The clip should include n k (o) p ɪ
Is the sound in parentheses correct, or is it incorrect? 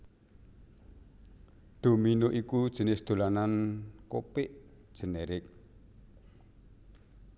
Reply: correct